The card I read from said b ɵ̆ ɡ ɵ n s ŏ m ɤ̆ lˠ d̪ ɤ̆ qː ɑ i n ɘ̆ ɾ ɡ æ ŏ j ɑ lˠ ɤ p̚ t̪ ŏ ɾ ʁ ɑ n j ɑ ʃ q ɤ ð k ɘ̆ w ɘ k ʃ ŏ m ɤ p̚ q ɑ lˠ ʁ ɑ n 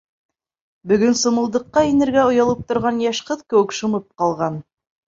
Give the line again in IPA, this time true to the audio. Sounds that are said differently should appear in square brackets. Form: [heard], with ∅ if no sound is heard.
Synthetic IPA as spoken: b ɵ̆ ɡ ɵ n s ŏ m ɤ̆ lˠ d̪ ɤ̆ qː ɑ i n ɘ̆ ɾ ɡ æ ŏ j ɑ lˠ ɤ p̚ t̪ ŏ ɾ ʁ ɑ n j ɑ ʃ q ɤ ð k ɘ̆ w ɘ k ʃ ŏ m ɤ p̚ q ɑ lˠ ʁ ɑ n